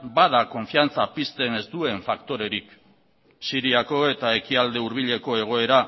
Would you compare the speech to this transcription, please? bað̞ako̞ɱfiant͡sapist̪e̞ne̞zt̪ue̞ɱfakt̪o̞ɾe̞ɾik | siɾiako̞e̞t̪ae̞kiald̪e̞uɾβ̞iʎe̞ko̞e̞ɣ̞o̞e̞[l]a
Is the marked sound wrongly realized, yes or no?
yes